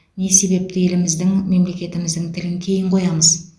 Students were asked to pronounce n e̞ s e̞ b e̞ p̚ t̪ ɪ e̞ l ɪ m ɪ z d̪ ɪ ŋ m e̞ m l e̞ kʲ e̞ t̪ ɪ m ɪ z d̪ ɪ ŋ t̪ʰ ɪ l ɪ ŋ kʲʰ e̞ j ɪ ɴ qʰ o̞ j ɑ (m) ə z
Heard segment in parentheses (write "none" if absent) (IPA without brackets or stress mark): m